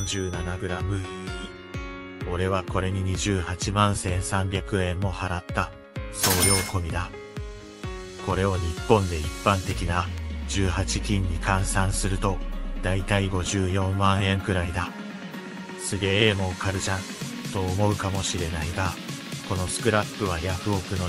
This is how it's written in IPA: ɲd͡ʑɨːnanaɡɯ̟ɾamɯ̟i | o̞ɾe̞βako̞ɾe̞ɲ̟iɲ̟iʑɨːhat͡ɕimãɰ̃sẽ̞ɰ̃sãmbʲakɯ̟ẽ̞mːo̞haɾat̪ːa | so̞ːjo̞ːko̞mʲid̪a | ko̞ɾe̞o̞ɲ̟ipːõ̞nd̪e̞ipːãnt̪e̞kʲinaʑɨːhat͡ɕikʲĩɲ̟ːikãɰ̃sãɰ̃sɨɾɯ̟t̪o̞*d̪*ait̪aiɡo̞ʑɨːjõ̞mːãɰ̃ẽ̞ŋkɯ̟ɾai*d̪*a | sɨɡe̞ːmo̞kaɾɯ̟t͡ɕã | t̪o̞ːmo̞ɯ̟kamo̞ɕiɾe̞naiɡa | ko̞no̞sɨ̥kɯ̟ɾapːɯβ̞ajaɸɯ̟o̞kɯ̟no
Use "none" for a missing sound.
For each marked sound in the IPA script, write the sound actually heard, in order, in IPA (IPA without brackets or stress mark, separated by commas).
d̪, d̪